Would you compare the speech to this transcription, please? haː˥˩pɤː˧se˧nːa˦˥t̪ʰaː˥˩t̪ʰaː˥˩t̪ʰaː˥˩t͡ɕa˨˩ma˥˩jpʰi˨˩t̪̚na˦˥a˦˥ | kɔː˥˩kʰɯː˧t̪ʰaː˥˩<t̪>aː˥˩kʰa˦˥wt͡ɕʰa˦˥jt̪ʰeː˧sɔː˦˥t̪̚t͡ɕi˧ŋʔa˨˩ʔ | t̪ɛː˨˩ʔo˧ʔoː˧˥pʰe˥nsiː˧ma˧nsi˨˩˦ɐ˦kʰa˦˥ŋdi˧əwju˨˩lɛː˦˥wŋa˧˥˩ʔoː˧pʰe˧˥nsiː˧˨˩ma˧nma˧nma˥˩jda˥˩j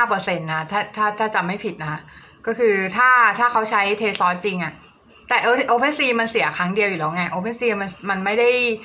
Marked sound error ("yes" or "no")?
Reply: yes